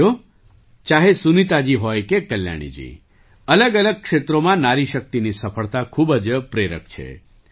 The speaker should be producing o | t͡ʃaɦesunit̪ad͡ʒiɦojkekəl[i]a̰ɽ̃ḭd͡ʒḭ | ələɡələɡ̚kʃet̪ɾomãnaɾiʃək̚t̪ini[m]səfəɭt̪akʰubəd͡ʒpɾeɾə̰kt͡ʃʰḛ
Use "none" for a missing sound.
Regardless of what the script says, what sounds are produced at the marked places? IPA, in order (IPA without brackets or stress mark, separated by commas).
j, none